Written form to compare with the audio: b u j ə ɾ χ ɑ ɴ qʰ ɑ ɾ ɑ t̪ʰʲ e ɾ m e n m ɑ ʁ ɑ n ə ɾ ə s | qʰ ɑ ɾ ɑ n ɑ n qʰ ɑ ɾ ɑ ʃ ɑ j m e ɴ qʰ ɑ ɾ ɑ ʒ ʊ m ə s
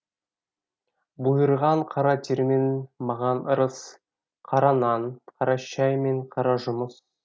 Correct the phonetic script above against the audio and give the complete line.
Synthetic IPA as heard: b u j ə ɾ ʁ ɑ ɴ qʰ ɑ ɾ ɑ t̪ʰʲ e ɾ m e n m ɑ ʁ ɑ n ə ɾ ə s | qʰ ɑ ɾ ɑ n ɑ n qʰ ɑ ɾ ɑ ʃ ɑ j m e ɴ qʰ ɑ ɾ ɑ ʒ ʊ m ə s

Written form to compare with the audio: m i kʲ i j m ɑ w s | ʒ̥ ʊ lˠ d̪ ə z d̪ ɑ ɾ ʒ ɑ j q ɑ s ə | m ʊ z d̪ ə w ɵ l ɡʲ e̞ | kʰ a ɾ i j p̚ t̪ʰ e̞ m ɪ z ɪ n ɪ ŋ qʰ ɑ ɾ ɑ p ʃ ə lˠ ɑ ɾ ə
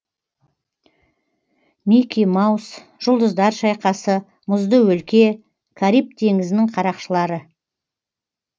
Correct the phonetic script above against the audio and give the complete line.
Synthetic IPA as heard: m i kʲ i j m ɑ w s | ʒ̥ ʊ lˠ d̪ ə z d̪ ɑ ɾ ʃ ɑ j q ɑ s ə | m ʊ z d̪ ə w ɵ l kʲ e̞ | kʰ a ɾ i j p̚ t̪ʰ e̞ ŋ ɪ z ɪ n ɪ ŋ qʰ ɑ ɾ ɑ q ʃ ə lˠ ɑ ɾ ə

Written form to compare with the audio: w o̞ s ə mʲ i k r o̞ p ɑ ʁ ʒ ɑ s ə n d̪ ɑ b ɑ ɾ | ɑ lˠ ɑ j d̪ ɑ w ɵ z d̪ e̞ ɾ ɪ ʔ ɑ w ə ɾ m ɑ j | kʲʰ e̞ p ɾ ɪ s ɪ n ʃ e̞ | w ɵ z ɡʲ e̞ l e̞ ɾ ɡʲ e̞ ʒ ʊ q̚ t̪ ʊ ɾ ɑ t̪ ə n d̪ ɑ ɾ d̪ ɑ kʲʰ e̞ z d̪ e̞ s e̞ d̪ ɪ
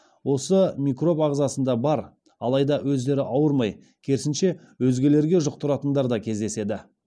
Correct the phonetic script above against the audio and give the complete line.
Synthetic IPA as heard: w o̞ s ə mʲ i k r o̞ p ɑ ʁ z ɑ s ə n d̪ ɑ b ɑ ɾ | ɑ lˠ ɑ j d̪ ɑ w ɵ z d̪ e̞ ɾ ɪ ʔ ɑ w ə ɾ m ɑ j | kʲʰ e̞ ɾ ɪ s ɪ n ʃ e̞ | w ɵ z ɡʲ e̞ l e̞ ɾ ɡʲ e̞ ʒ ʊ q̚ t̪ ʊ ɾ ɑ t̪ ə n d̪ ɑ ɾ d̪ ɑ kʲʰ e̞ z d̪ e̞ s e̞ d̪ ɪ

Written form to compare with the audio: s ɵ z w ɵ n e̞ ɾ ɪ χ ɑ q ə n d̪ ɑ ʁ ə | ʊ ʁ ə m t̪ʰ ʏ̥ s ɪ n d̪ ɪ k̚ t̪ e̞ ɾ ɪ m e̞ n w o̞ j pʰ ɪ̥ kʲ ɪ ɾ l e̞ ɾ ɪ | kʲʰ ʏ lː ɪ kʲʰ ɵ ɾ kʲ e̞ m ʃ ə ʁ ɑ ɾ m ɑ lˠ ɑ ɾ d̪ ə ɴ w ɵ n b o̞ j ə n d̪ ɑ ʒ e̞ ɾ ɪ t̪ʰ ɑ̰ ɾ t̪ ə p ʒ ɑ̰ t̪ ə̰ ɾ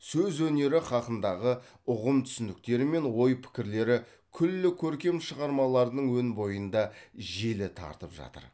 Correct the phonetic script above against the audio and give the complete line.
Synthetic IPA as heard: s ɵ z w ɵ n e̞ ɾ ɪ χ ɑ q ə n d̪ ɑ ʁ ə | ʊ ʁ ə m t̪ʰ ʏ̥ s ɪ n d̪ ɪ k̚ t̪ e̞ ɾ ɪ m e̞ n w o̞ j pʰ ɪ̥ kʲ ɪ ɾ l e̞ ɾ ɪ | kʲʰ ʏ lː ɪ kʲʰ ɵ ɾ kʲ e̞ m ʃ ə ʁ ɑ ɾ m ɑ lˠ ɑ ɾ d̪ ə ɴ w ɵ n b o̞ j ə n d̪ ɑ ʒ e̞ l ɪ t̪ʰ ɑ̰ ɾ t̪ ə p ʒ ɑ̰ t̪ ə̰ ɾ

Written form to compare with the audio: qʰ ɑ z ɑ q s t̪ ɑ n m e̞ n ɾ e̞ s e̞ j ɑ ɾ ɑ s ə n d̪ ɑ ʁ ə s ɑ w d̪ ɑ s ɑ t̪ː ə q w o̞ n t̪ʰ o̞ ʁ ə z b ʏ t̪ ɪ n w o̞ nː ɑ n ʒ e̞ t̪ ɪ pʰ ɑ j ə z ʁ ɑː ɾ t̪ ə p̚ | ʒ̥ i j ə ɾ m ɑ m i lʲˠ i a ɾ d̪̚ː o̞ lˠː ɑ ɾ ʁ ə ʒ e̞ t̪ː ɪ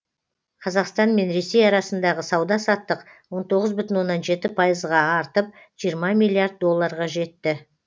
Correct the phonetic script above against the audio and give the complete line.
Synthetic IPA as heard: qʰ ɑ z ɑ q s t̪ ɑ n m e̞ n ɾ e̞ s e̞ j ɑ ɾ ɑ s ə n d̪ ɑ ʁ ə s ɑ w d̪ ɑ s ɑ t̪ː ə q w o̞ n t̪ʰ o̞ ʁ ə z b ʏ t̪ ɪ n w o̞ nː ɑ n ʒ e̞ t̪ ɪ pʰ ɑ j ə z ʁ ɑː ɾ t̪ ə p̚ | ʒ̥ i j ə ɾ m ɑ m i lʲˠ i a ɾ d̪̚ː o̞ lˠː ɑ ɾ ʁ ɑ ʒ e̞ t̪ː ɪ

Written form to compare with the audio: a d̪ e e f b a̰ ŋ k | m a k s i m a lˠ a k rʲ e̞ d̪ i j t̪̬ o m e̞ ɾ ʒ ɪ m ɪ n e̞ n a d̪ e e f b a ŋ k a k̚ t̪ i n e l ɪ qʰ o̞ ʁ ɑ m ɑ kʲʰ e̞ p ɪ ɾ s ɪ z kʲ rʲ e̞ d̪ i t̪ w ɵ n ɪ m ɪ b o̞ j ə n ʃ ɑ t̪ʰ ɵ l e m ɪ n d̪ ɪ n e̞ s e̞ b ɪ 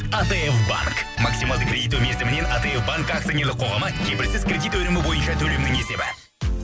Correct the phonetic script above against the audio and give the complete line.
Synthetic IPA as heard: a t̪ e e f b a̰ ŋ k | m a k s i m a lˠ ə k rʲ e̞ d̪ i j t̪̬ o m e̞ ɾ z ɪ m ɪ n e̞ n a t̪ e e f b a ŋ k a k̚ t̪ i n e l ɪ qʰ o̞ ʁ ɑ m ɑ kʲʰ e̞ p ɪ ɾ s ɪ z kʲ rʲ e̞ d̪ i t̪ w ɵ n ɪ m ɪ b o̞ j ə n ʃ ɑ t̪ʰ ɵ l e m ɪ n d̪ ɪ ŋ e̞ s e̞ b ɪ

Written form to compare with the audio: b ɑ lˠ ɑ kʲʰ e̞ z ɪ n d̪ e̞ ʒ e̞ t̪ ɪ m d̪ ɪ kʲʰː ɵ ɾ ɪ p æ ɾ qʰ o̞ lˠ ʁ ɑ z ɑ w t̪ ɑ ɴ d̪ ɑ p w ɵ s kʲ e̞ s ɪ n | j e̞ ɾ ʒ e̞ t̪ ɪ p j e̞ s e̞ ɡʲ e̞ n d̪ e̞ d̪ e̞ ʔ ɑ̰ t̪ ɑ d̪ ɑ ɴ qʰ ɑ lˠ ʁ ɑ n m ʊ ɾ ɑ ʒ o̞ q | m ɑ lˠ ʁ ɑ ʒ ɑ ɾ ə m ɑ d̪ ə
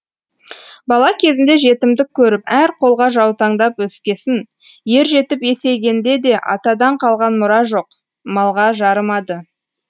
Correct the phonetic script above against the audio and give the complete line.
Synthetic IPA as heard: b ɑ lˠ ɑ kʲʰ e̞ z ɪ n d̪ e̞ ʒ e̞ t̪ ɪ m d̪ ɪ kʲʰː ɵ ɾ ɪ p æ ɾ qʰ o̞ lˠ ʁ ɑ ʒ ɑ w t̪ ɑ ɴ d̪ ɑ p w ɵ s kʲ e̞ s ɪ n | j e̞ ɾ ʒ e̞ t̪ ɪ p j e̞ s e̞ ɡʲ e̞ n d̪ e̞ d̪ e̞ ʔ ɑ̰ t̪ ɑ d̪ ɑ ɴ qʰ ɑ lˠ ʁ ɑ n m ʊ ɾ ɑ ʒ o̞ q | m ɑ lˠ ʁ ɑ ʒ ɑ ɾ ə m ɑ d̪ ə

